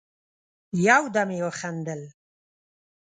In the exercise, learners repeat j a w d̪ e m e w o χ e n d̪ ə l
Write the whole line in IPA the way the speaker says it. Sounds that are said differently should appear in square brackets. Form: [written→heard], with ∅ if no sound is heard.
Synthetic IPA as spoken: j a w d̪ [e→a] m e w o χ [e→a] n d̪ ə l